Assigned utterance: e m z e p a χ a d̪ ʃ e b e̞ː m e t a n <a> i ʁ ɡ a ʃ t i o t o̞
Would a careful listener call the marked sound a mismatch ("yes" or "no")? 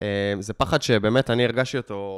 yes